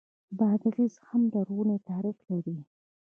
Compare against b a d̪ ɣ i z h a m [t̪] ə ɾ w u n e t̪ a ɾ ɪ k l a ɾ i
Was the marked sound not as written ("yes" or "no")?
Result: yes